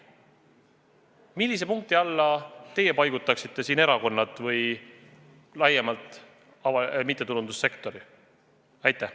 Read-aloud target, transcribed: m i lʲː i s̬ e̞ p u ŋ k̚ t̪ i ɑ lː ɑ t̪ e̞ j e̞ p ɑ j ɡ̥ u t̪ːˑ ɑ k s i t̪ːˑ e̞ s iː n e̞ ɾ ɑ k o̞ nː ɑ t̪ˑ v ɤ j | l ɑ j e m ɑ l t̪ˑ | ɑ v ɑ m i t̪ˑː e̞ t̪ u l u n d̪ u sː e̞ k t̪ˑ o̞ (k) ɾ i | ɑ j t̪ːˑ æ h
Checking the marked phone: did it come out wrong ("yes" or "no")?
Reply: yes